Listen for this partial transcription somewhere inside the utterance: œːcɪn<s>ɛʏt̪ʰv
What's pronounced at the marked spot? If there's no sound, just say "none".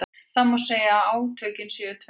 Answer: s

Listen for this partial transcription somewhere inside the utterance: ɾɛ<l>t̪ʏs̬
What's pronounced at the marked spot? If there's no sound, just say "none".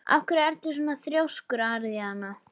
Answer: ɾ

